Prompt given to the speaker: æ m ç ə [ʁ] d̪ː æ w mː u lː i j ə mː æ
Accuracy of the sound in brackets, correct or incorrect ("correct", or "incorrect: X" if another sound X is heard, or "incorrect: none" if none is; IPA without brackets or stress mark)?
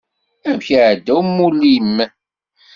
incorrect: ʕ